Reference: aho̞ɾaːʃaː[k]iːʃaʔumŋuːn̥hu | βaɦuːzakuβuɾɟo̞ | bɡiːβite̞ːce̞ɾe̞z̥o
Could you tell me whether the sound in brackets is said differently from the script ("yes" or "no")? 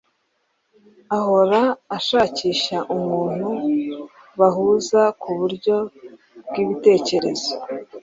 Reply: yes